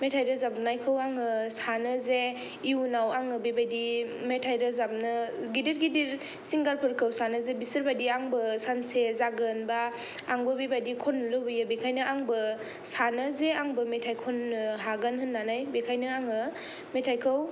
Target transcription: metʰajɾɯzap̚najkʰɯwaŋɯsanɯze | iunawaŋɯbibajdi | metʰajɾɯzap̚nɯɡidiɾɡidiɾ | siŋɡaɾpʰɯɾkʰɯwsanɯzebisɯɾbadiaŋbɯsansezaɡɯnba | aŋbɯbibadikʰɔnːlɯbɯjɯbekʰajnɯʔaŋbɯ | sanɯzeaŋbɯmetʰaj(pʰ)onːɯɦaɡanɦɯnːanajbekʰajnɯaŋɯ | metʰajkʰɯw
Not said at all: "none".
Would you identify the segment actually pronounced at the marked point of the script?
kʰ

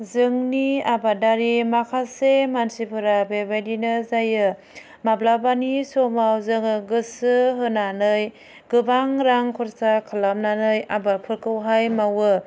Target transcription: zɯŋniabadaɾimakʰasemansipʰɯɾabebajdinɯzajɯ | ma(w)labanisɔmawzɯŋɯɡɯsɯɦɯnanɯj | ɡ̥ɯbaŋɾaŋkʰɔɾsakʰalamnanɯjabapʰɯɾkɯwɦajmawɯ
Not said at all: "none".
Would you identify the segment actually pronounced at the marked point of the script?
b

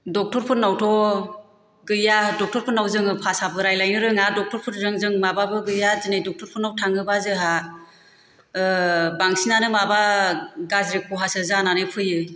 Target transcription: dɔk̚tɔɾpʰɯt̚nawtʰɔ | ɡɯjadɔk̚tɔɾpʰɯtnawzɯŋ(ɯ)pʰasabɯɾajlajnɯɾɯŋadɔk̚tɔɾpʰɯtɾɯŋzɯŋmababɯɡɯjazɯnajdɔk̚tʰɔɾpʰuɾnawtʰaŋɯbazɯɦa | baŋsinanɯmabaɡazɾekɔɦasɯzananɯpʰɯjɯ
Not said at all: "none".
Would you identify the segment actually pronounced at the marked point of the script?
ɯ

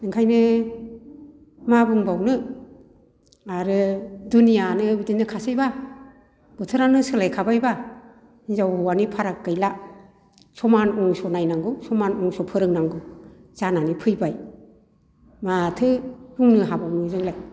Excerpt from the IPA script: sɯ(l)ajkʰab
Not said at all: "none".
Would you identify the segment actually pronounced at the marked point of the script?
l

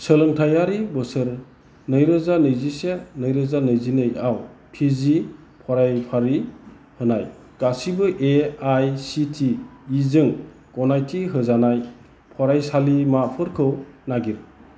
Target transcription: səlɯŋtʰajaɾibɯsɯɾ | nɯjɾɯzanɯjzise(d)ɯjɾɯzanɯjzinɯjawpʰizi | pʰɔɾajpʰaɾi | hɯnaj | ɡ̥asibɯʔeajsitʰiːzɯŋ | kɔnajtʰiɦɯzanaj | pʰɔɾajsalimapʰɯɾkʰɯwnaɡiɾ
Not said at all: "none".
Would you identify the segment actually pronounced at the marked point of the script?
n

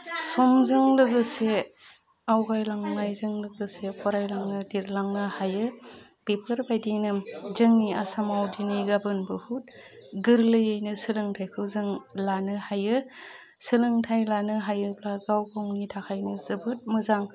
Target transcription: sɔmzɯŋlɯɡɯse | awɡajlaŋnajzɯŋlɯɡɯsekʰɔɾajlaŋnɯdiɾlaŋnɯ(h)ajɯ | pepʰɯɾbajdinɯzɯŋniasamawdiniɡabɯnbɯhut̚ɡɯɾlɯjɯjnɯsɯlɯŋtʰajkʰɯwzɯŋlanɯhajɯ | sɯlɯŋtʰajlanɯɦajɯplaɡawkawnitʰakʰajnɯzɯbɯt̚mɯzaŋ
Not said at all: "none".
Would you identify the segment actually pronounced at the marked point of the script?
h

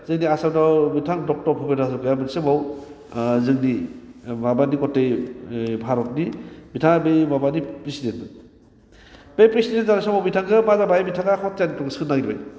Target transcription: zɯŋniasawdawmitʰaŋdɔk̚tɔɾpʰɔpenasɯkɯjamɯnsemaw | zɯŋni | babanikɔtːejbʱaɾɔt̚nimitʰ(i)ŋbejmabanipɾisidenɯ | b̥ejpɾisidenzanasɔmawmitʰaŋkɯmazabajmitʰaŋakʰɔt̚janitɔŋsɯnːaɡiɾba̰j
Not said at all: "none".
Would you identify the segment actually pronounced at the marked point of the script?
a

